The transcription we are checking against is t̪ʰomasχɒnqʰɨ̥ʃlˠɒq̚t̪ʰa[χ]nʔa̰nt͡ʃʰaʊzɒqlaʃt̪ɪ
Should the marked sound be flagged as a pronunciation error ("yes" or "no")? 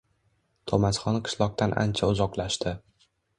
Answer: yes